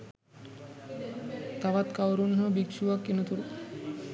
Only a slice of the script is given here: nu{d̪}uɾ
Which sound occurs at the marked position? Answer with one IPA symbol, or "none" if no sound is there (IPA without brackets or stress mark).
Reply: t̪